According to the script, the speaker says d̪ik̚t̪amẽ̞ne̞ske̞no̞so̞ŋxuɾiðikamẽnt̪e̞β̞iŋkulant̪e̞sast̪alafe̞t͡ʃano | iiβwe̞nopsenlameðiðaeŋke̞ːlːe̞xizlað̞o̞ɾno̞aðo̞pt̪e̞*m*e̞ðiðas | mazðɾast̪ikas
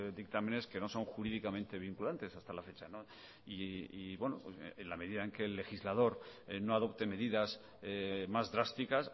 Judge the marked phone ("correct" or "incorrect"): correct